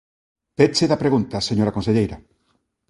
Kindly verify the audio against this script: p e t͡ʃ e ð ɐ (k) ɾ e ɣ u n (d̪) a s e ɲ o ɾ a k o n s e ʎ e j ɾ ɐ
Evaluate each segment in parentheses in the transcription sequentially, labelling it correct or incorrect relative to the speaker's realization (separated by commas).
incorrect, incorrect